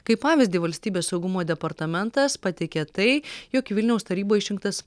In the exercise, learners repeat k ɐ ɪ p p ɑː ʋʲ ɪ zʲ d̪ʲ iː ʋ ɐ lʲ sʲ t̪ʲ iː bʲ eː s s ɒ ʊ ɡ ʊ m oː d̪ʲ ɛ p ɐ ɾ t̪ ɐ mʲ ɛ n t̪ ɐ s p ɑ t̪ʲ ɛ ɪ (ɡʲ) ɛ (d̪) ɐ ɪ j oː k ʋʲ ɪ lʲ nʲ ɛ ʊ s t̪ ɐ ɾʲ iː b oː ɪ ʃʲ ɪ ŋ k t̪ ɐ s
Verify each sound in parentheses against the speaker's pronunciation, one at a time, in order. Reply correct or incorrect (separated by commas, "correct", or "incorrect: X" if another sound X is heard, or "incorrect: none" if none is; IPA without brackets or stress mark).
incorrect: kʲ, incorrect: t̪